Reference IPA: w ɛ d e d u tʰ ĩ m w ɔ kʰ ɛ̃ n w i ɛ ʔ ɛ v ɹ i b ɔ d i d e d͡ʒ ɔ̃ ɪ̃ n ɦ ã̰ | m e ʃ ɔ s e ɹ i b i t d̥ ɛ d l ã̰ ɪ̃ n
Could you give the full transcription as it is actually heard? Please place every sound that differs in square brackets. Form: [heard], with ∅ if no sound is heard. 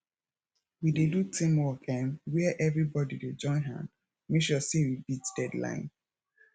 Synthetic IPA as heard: w [i] d e d u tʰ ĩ m w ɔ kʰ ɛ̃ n w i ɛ ʔ ɛ v ɹ i b ɔ d i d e d͡ʒ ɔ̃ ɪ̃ n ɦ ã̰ | m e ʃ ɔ s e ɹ i b i t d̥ ɛ d l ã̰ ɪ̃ n